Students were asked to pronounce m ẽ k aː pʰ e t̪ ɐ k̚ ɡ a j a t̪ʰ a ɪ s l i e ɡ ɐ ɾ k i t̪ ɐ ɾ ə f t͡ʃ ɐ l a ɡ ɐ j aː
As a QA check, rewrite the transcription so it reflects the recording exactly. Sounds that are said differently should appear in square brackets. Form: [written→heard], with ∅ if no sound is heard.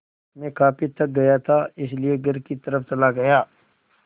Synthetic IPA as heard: m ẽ k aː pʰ [e→i] t̪ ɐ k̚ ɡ [a→ɐ] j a t̪ʰ a ɪ s l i e ɡ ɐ ɾ k i t̪ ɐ ɾ ə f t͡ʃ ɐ l a ɡ ɐ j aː